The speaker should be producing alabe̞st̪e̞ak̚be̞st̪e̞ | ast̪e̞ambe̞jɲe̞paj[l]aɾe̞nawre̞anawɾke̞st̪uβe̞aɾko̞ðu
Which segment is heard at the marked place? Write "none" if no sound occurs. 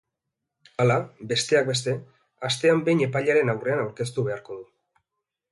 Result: ʎ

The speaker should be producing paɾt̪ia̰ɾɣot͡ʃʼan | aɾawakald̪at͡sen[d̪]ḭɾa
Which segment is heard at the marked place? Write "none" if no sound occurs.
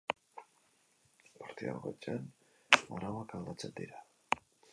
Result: d̪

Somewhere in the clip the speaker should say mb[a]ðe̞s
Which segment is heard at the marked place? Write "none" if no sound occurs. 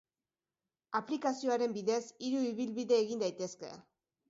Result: i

